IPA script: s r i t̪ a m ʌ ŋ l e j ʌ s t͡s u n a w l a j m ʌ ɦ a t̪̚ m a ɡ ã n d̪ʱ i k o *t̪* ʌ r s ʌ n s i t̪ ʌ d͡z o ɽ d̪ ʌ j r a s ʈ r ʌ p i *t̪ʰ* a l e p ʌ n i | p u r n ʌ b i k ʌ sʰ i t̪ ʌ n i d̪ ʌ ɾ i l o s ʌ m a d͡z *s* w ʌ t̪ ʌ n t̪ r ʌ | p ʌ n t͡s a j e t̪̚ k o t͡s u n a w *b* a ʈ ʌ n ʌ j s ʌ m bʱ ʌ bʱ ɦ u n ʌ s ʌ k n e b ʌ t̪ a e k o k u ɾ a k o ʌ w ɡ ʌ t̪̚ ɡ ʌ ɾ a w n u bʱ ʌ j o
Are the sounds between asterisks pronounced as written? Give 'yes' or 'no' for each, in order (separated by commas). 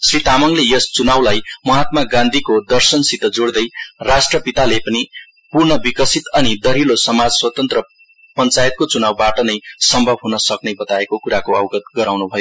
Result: no, no, yes, yes